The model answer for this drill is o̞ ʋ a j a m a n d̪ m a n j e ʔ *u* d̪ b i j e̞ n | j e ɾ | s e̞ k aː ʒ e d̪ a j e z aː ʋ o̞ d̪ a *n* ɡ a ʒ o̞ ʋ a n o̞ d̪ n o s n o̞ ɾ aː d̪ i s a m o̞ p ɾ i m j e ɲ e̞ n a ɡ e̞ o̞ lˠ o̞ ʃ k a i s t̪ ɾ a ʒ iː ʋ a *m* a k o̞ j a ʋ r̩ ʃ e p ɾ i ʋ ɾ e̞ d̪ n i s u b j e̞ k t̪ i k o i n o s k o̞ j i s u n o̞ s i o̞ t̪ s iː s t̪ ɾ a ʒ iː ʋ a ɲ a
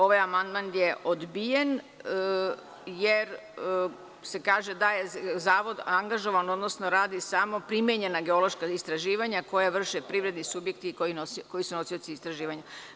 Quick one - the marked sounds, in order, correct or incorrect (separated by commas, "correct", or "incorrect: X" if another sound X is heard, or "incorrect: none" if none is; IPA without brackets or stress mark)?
incorrect: o, incorrect: ŋ, incorrect: ɲ